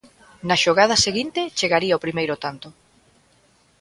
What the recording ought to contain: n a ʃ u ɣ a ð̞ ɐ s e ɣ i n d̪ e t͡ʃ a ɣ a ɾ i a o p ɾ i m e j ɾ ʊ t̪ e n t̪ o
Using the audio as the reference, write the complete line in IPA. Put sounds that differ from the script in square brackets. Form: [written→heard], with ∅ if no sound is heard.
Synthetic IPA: n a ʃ [u→o] ɣ a ð̞ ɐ s e ɣ i n [d̪→t̪] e t͡ʃ [a→e] ɣ a ɾ i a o p ɾ i m e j ɾ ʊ t̪ [e→a] n t̪ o